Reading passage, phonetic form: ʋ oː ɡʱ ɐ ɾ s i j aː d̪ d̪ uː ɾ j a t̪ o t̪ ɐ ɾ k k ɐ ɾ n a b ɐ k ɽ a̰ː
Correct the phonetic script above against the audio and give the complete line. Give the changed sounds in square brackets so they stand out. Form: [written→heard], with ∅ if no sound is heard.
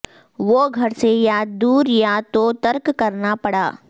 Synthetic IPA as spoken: ʋ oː ɡʱ ɐ ɾ s [i→e] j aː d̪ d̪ uː ɾ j a t̪ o t̪ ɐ ɾ k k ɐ ɾ n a [b→p] ɐ [k→∅] ɽ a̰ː